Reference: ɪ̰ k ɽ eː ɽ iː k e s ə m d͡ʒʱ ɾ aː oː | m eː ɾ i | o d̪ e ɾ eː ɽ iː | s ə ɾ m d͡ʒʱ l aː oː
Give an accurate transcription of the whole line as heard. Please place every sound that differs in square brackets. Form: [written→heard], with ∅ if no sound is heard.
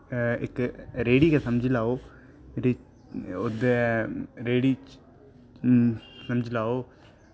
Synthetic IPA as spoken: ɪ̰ k [ɽ→ɾ] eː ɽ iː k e s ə m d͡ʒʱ [ɾ→l] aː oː | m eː ɾ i | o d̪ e ɾ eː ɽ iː | s ə [ɾ→∅] m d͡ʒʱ l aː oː